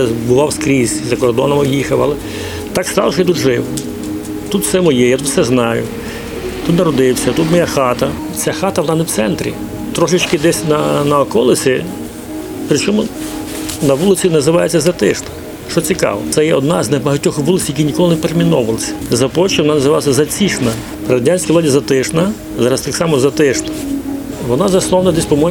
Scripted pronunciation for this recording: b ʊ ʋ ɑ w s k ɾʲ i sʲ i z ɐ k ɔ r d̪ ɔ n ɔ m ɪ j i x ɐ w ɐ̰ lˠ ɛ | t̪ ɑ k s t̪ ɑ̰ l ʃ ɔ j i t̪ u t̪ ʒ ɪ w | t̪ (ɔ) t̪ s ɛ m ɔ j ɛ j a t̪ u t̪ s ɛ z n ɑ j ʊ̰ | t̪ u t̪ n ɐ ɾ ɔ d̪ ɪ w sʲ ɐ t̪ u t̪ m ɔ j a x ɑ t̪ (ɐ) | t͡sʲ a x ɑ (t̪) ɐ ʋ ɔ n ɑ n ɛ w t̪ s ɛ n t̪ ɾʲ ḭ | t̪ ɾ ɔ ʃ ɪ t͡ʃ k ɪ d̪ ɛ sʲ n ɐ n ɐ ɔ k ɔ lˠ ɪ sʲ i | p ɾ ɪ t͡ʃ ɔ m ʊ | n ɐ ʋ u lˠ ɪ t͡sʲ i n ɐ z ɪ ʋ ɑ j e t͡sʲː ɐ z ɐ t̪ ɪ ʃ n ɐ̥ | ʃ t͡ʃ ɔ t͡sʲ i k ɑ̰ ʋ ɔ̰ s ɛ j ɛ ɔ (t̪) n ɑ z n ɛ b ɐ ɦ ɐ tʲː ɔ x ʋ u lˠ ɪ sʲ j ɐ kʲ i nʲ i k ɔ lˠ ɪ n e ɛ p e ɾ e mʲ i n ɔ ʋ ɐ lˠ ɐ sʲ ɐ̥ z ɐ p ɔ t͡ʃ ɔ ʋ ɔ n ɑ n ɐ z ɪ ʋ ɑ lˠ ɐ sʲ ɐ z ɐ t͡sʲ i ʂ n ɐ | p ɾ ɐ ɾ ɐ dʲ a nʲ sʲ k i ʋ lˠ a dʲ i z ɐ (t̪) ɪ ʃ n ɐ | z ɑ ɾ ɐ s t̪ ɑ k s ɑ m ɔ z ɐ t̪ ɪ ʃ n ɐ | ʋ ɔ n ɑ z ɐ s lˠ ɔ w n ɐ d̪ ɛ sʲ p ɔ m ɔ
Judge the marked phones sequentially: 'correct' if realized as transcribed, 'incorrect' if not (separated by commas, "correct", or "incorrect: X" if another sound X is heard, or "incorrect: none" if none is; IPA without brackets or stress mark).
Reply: incorrect: u, correct, correct, incorrect: d̪, correct